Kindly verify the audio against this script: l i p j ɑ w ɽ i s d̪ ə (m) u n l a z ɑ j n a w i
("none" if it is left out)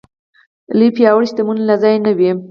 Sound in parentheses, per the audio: m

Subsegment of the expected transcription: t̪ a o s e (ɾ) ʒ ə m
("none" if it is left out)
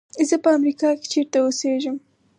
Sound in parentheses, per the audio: none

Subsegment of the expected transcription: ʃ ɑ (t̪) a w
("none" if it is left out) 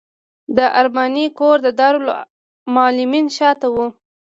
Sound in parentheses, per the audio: t̪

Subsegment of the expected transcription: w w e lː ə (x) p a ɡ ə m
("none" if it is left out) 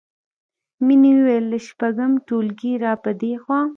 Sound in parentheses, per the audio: ʃ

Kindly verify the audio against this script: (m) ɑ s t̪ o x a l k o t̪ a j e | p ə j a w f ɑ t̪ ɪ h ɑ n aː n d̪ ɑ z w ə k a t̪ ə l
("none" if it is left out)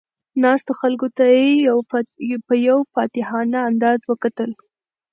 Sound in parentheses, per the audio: n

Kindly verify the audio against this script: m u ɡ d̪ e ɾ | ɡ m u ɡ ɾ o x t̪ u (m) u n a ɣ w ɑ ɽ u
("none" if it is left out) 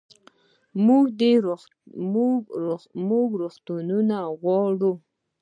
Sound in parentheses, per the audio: n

